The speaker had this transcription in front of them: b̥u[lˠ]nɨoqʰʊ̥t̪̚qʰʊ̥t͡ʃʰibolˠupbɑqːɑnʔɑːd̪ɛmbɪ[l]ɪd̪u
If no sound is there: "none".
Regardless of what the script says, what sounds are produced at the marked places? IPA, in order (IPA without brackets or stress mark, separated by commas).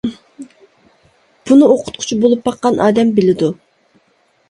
none, l